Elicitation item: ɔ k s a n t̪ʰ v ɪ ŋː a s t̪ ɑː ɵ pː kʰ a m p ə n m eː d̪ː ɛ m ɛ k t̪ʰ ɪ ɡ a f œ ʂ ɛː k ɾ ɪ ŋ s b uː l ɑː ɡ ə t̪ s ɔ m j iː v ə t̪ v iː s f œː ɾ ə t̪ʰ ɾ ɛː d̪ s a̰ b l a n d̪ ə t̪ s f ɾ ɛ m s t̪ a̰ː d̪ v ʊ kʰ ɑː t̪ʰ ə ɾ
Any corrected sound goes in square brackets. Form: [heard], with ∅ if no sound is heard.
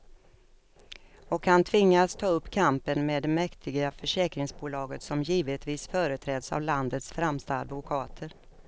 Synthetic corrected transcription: ɔ k [h] a n t̪ʰ v ɪ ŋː a s [t̪ʰ] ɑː ɵ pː kʰ a m p ə n m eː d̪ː ɛ m ɛ k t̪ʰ ɪ ɡ a f œ ʂ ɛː k ɾ ɪ ŋ s b uː l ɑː ɡ ə t̪ s ɔ m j iː v ə t̪ v iː s f œː ɾ ə t̪ʰ ɾ ɛː d̪ s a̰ [v] l a n d̪ ə t̪ s f ɾ ɛ m s t̪ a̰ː d̪ v ʊ kʰ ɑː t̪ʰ ə ɾ